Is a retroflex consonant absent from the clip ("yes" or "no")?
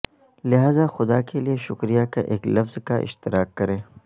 yes